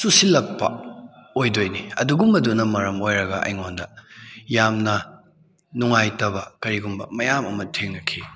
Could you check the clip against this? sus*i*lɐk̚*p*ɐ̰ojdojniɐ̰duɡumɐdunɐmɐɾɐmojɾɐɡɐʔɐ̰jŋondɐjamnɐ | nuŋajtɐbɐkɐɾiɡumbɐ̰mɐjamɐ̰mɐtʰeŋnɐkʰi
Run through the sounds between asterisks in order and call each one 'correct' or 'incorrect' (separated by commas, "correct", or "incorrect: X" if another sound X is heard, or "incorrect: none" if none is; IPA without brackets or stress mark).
correct, correct